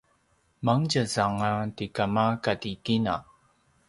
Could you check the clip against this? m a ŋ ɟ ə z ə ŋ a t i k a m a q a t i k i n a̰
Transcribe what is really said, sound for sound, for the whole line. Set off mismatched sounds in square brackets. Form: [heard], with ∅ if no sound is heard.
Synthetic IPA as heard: m a ŋ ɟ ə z [a] ŋ a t i k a m a [k] a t i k i n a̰